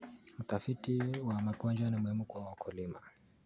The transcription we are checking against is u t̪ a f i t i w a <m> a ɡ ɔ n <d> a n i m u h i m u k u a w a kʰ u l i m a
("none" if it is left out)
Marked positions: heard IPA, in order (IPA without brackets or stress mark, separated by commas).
m, d͡ʒ